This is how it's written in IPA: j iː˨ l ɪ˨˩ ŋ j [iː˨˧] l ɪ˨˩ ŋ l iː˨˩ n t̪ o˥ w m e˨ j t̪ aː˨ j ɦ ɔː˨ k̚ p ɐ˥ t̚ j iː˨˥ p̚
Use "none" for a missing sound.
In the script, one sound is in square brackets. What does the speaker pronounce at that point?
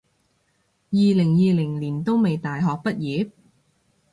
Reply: iː˨˧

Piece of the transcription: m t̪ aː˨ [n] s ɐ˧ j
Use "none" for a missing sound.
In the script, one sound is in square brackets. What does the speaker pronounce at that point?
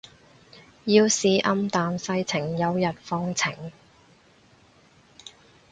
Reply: n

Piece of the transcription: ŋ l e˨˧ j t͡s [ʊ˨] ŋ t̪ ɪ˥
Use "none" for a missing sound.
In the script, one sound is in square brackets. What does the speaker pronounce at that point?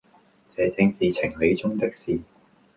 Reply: ʊ˥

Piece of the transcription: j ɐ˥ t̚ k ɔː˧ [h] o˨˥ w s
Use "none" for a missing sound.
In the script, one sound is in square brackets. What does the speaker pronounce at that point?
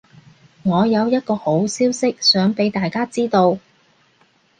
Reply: h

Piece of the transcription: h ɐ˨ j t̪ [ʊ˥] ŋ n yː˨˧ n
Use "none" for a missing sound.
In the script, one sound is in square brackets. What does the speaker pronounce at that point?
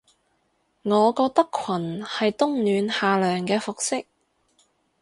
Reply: ʊ˥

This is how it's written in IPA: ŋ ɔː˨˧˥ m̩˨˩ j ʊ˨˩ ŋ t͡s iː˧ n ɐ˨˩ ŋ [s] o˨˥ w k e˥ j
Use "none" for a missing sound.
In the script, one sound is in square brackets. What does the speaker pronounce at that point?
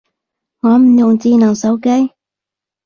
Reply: s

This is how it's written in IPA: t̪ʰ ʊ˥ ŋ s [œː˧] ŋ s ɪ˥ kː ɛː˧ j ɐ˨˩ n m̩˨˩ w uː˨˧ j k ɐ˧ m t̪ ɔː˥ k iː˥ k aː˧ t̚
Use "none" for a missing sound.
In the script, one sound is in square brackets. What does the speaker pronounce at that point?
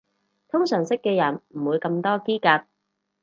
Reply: œː˨˩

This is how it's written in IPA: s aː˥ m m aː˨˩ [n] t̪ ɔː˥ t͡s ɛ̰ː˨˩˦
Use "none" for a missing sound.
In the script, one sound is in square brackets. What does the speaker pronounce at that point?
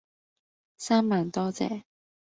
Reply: n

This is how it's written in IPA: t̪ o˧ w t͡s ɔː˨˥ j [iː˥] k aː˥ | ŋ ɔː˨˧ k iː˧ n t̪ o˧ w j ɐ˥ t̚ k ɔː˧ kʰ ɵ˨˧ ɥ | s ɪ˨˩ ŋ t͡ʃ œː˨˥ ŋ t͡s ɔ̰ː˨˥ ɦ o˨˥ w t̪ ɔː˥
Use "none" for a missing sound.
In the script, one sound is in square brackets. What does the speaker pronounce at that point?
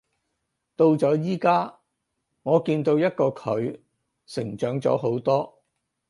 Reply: iː˥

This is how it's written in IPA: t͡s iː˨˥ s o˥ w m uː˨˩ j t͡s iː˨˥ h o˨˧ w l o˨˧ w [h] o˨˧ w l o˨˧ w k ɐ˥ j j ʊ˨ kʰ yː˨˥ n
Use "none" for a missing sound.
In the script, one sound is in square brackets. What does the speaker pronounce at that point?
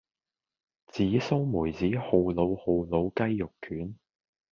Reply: h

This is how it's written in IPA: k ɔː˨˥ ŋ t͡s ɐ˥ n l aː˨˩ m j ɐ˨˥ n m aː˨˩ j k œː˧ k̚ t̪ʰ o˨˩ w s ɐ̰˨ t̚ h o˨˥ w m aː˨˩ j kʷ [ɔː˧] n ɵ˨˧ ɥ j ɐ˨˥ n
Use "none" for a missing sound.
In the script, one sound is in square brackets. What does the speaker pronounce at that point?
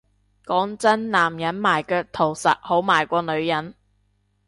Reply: ɔː˧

